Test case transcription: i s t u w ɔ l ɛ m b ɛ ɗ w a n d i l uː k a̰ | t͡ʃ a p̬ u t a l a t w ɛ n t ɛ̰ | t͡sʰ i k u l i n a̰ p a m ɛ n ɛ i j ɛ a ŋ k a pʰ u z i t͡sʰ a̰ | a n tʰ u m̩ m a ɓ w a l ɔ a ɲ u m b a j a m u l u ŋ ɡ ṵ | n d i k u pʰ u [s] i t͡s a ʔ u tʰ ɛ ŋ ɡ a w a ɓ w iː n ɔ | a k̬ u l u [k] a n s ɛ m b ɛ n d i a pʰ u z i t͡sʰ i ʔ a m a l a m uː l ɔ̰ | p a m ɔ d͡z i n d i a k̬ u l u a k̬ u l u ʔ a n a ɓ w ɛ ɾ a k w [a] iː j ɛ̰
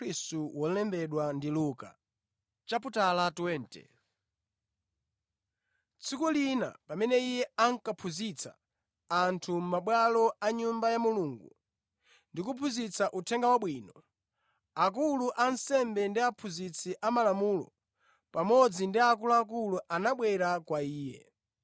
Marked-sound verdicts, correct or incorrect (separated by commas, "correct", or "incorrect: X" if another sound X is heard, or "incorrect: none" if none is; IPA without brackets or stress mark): incorrect: z, incorrect: ʔ, correct